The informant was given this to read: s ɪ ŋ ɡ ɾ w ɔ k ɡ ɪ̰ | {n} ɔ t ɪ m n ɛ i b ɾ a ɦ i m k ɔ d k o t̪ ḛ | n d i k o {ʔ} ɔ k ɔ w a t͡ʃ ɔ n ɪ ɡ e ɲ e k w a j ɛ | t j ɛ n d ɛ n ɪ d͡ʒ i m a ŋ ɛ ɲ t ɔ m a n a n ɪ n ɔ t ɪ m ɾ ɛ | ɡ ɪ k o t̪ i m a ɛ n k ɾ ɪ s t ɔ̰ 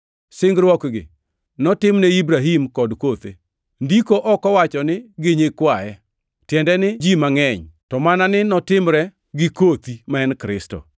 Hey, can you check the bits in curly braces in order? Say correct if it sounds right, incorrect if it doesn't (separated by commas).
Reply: correct, correct